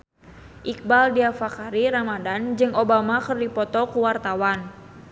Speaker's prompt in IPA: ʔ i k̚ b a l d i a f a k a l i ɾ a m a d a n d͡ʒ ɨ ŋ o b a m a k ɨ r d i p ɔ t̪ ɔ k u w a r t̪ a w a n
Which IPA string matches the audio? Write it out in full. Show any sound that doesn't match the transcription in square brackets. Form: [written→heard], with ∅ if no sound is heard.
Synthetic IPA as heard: ʔ i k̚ b a l d i a f a k a [l→ɾ] i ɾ a m a d a n d͡ʒ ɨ ŋ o b a m a k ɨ r d i p ɔ t̪ ɔ k u w a r t̪ a w a n